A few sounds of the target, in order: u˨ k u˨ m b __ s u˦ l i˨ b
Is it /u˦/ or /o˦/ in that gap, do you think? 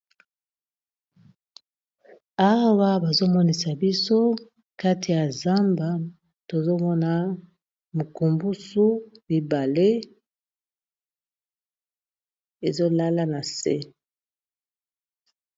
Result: u˦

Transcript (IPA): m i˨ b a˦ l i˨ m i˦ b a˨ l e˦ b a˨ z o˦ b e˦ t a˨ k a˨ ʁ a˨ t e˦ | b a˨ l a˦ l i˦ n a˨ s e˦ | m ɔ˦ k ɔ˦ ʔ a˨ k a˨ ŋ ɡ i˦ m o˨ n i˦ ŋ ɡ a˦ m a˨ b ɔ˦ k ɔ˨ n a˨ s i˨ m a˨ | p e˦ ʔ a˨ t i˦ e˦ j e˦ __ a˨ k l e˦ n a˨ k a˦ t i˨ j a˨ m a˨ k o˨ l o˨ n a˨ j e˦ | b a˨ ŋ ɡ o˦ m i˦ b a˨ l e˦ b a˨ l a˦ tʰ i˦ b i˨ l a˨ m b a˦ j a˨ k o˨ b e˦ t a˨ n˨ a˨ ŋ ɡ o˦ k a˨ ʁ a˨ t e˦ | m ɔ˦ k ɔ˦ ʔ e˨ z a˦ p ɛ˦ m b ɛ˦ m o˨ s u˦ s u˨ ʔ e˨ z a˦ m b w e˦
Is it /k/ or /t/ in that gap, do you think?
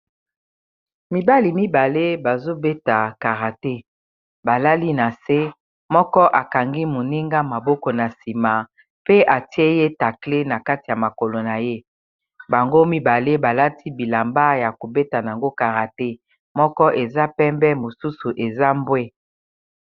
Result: t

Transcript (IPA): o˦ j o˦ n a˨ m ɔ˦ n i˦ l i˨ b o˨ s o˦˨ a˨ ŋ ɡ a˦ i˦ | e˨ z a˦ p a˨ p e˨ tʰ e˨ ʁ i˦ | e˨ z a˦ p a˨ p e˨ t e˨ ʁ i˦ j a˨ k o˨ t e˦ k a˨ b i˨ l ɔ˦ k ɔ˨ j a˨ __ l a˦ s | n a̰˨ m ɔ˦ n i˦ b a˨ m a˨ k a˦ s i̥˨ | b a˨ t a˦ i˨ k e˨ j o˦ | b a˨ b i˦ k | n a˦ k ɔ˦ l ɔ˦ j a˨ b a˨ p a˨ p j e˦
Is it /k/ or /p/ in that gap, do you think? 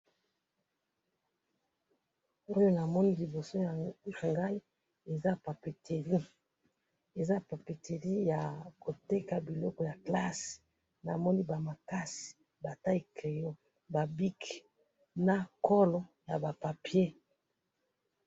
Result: k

